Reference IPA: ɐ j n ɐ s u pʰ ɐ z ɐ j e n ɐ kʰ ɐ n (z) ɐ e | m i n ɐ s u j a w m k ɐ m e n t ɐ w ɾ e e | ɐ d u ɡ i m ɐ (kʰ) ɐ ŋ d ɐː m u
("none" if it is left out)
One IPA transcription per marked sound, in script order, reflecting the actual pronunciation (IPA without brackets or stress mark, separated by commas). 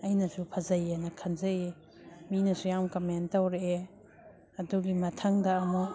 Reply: z, tʰ